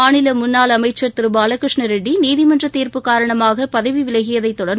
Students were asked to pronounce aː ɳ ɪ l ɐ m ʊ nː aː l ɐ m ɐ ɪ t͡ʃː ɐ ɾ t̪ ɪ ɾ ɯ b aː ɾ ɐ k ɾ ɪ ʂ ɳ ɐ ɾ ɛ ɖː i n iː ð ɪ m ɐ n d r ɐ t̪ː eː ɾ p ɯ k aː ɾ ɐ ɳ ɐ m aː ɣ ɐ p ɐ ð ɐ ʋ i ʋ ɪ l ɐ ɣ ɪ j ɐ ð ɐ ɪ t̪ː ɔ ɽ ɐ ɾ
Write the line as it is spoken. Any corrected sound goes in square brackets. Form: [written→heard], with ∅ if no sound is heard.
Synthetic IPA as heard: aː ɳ ɪ l ɐ m ʊ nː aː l ɐ m ɐ ɪ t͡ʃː ɐ ɾ t̪ ɪ ɾ ɯ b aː [ɾ→l] ɐ k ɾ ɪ ʂ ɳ ɐ ɾ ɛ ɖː i n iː ð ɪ m ɐ n d r ɐ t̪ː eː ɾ p ɯ k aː ɾ ɐ ɳ ɐ m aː ɣ ɐ p ɐ ð ɐ ʋ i ʋ ɪ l ɐ ɣ ɪ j ɐ ð ɐ ɪ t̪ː ɔ ɽ ɐ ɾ